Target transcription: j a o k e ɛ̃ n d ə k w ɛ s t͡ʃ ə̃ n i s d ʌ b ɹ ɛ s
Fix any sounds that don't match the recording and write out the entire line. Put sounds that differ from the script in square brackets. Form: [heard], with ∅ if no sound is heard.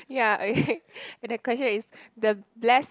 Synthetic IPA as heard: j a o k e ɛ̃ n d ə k w ɛ s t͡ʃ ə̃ n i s d [ə] b [l] ɛ s